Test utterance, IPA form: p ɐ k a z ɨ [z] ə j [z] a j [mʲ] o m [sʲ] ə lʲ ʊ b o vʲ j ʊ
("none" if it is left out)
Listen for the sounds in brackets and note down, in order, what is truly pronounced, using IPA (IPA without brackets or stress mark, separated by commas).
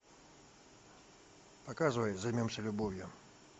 v, z, mʲ, sʲ